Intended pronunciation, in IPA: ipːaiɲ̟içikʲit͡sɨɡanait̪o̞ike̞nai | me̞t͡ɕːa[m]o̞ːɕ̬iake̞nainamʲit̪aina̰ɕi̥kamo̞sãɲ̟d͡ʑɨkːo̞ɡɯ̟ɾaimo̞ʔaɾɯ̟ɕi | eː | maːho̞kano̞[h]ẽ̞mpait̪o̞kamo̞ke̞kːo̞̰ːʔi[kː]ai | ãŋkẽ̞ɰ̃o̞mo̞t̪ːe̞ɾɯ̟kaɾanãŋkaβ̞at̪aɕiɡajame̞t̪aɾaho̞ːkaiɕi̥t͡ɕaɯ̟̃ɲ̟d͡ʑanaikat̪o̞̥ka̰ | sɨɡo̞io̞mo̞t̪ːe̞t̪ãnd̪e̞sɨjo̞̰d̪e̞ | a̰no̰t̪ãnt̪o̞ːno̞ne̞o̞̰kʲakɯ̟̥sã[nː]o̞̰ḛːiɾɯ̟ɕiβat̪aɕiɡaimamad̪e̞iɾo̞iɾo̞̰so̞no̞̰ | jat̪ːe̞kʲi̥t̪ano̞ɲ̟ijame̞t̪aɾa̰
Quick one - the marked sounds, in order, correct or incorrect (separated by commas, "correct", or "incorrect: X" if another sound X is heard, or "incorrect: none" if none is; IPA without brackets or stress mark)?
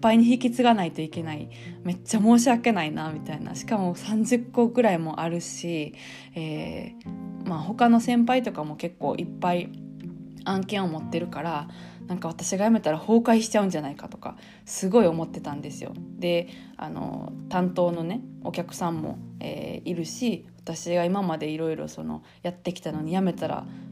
correct, incorrect: s, incorrect: pː, incorrect: mː